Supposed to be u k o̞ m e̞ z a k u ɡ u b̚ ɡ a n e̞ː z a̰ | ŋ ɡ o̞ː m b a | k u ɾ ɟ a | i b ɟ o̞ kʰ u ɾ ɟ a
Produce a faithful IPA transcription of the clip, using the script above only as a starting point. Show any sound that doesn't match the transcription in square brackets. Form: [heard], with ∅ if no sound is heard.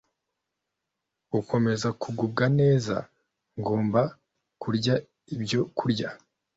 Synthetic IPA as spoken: u k o̞ m e̞ z a k u ɡ u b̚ ɡ a n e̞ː z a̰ | ŋ ɡ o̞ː m b a | k u ɾ ɟ a | i b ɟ o̞ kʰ u ɾ ɟ a